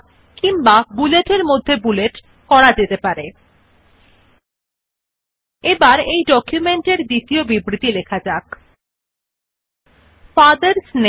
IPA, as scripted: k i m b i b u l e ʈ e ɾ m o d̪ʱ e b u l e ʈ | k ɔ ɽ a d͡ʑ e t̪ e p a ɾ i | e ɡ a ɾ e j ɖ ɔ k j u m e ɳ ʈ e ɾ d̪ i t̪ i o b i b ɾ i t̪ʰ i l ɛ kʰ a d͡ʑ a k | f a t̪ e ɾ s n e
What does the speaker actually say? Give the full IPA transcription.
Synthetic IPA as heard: k i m b a b u l e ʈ e ɾ m o d̪ʱː e b u l e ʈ | k ɔ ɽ a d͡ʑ e t̪ e p a ɾ e | e b a ɾ e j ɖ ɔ k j u m e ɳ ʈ e ɾ d̪ i t̪ i o b i b ɾ i t̪ i l e kʰ a d͡ʑ a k | f a d̪ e ɾ s n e